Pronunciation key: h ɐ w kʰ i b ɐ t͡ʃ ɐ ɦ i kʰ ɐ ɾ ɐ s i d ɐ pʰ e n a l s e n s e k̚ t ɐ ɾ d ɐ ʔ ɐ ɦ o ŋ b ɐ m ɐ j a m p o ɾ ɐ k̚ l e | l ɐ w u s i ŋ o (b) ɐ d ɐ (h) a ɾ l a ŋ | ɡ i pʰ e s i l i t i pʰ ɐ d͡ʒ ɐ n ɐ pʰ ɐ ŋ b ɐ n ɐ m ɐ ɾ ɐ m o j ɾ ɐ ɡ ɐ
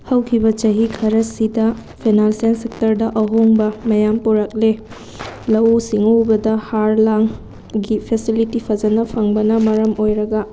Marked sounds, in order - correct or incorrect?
correct, correct

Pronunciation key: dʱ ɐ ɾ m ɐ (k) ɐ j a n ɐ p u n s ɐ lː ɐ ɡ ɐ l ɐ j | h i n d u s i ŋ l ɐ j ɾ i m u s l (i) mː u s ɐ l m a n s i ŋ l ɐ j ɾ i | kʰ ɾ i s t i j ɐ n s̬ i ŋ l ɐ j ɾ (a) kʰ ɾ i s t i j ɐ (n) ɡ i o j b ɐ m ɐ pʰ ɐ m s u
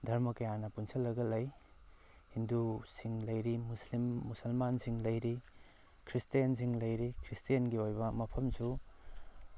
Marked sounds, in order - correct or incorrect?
correct, correct, incorrect, correct

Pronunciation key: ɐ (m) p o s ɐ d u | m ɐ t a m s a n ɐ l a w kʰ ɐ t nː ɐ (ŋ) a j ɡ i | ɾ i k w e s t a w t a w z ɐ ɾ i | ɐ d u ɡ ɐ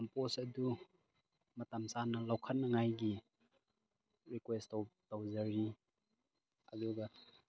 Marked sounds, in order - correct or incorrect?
correct, correct

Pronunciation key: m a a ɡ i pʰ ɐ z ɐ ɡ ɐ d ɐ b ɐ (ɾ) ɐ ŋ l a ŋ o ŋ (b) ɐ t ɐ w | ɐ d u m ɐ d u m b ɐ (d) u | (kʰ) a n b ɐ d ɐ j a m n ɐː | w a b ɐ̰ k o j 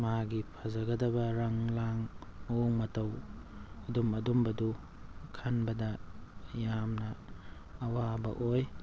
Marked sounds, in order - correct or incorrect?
correct, incorrect, correct, correct

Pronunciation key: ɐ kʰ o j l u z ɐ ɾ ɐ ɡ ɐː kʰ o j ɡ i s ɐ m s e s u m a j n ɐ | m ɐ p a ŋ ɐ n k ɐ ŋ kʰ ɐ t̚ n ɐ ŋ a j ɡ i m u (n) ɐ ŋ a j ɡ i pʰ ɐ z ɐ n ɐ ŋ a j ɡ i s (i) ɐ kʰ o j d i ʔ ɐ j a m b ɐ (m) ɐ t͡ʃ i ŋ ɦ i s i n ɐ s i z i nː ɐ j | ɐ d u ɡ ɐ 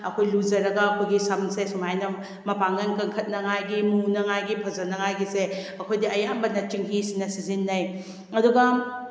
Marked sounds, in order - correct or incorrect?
correct, incorrect, incorrect

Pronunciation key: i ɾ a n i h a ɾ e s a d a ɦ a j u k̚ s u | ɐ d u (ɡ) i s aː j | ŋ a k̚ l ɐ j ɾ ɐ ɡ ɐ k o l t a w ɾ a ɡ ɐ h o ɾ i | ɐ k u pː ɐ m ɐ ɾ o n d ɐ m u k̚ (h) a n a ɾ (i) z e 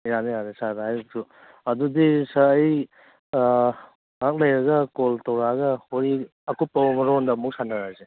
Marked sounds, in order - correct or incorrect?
incorrect, incorrect, incorrect

